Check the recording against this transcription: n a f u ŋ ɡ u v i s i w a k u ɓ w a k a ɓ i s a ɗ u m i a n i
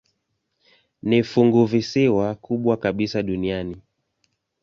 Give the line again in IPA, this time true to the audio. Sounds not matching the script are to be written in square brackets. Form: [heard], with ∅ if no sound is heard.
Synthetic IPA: n [i] f u ŋ ɡ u v i s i w a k u ɓ w a k a ɓ i s a ɗ u [n] i a n i